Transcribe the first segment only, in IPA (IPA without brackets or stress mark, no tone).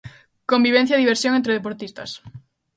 k